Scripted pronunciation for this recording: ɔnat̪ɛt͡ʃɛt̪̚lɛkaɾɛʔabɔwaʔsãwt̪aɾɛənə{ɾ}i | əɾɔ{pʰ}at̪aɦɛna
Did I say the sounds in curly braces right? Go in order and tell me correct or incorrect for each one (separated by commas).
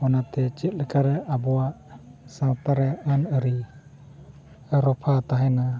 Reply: correct, correct